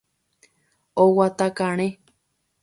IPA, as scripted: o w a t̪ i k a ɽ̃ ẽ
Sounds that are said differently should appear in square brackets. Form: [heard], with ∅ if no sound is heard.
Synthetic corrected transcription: o w a t̪ [a] k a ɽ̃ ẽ